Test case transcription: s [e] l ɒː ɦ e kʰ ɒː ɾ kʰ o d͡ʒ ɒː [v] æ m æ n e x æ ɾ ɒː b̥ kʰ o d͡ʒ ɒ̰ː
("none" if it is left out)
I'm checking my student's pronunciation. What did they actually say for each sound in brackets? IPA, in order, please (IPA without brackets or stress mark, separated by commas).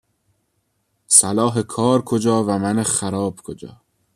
æ, v